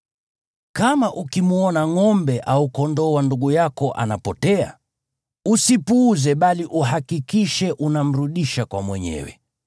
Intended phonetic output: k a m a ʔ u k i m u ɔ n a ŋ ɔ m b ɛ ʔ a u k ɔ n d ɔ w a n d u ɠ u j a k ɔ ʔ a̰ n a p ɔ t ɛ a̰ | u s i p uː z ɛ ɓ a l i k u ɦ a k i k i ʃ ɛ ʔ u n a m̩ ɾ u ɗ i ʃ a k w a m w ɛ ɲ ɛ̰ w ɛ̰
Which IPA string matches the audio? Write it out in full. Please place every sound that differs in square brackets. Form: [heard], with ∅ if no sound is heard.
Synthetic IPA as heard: k a m a ʔ u k i m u ɔ n a ŋ ɔ m b ɛ ʔ a u k ɔ n d ɔ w a n d u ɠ u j a k ɔ ʔ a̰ n a p ɔ t ɛ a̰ | u s i p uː z ɛ ɓ a l i [ʔ] u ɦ a k i k i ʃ ɛ ʔ u n a m̩ ɾ u ɗ i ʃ a k w a m w ɛ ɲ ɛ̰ w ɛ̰